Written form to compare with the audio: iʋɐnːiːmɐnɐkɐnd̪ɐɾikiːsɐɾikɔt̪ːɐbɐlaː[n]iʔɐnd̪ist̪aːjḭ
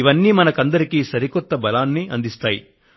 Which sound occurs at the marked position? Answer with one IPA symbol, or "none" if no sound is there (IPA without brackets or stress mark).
nː